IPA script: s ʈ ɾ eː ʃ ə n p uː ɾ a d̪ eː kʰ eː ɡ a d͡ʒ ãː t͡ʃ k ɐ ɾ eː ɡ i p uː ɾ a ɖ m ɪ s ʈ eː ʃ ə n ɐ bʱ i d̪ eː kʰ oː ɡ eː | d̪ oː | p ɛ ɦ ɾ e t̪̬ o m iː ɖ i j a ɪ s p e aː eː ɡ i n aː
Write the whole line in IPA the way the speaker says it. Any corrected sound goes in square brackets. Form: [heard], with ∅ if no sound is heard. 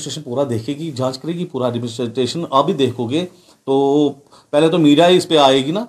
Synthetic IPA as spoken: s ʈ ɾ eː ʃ ə n p uː ɾ a d̪ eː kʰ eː ɡ [i] d͡ʒ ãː t͡ʃ k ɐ ɾ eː ɡ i p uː ɾ a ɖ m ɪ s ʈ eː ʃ ə n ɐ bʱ i d̪ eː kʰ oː ɡ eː | [t̪] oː | p ɛ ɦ [l] e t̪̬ o m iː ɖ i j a ɪ s p e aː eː ɡ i n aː